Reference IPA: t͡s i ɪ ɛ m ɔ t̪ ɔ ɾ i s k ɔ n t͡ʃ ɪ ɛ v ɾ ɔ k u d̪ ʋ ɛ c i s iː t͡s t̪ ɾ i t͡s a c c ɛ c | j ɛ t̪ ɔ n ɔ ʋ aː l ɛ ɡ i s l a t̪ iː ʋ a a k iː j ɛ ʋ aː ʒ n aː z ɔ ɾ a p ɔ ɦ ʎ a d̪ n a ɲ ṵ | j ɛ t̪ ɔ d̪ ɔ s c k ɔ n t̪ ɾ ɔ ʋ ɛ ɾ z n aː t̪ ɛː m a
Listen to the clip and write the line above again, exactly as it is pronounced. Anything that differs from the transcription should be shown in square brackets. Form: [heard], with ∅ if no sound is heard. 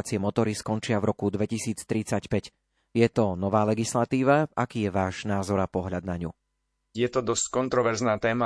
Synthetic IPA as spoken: t͡s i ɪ ɛ m ɔ t̪ ɔ ɾ i s k ɔ n t͡ʃ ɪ [a] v ɾ ɔ k u d̪ ʋ ɛ c i s iː t͡s t̪ ɾ i t͡s a c [p] ɛ c | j ɛ t̪ ɔ n ɔ ʋ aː l ɛ ɡ i s l a t̪ iː ʋ a a k iː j ɛ ʋ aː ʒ n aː z ɔ ɾ a p ɔ ɦ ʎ a d̪ n a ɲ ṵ | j ɛ t̪ ɔ d̪ ɔ s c k ɔ n t̪ ɾ ɔ ʋ ɛ ɾ z n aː t̪ ɛː m a